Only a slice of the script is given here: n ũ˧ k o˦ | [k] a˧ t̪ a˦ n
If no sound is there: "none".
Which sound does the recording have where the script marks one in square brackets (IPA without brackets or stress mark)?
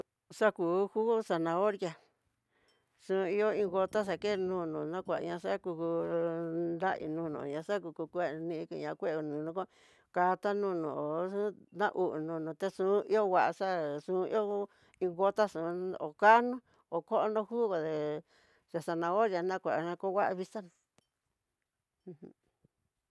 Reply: k